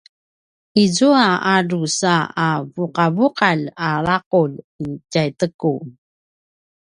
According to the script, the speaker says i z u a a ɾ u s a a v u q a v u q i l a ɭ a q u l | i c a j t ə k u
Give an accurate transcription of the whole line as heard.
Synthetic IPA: i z u a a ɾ u s a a v u q a v u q a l a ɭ a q u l | i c a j t ə k u